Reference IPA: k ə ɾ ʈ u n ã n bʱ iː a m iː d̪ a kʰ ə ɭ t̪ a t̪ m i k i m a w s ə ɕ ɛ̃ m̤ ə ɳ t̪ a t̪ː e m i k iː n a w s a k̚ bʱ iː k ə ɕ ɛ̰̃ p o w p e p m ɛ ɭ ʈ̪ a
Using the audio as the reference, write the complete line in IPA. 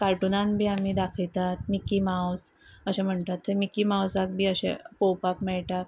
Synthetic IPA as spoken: k a ɾ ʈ u n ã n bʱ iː a m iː d̪ a kʰ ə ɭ t̪ a t̪ m i k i m a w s ə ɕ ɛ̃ m̤ ə ɳ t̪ a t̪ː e m i k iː m a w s a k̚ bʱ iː ə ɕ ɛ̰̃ p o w p a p m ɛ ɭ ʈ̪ a